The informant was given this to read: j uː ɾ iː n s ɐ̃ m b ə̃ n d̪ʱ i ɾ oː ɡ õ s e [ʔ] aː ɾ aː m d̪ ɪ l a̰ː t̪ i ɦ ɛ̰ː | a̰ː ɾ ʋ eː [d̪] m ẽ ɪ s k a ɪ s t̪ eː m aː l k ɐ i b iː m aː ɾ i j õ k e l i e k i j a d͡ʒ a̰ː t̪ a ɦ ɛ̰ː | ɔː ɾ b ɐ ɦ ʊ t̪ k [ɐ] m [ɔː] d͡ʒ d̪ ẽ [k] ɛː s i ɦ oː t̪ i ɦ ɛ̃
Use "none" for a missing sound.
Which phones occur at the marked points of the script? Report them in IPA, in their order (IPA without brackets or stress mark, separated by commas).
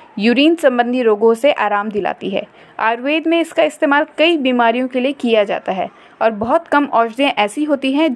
ʔ, d̪, ɐ, ɔː, ʔ